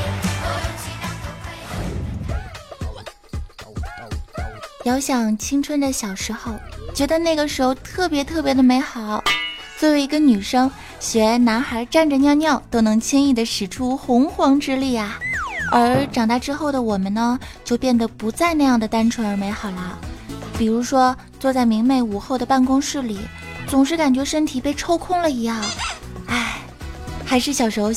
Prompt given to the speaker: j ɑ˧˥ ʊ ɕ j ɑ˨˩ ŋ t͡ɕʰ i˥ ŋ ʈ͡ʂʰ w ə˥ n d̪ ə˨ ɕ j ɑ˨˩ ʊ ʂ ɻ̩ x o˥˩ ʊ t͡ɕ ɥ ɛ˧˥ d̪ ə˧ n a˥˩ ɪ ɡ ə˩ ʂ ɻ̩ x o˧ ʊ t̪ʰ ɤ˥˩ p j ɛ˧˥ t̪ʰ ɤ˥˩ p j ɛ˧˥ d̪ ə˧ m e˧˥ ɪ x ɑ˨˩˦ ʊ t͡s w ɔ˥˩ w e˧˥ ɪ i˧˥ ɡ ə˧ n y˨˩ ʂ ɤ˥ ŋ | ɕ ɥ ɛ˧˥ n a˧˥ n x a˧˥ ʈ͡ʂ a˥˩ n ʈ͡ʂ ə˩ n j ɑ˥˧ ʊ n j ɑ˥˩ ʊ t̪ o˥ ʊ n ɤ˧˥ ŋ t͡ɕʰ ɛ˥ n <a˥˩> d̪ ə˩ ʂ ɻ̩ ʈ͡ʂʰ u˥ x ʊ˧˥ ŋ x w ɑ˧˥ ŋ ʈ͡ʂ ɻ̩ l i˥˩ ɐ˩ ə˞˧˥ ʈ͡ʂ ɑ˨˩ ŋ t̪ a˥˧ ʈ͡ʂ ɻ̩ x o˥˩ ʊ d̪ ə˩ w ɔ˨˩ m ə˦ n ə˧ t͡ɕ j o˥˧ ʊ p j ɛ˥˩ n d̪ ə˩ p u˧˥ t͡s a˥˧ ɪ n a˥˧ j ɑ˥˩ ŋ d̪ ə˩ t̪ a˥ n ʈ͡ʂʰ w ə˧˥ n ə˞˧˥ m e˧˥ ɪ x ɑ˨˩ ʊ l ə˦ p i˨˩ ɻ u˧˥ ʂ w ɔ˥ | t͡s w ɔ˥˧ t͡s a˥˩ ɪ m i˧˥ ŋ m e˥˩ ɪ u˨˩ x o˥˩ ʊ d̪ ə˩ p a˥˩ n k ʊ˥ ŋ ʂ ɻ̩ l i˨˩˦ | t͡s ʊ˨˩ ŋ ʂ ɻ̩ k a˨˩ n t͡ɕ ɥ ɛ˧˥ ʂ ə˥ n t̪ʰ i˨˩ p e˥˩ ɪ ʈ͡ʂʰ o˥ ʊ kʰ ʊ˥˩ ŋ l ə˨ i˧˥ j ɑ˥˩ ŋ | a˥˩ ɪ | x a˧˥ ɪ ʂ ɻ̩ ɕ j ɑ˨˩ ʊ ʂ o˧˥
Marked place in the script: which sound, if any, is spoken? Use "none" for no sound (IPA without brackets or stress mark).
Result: i˥˩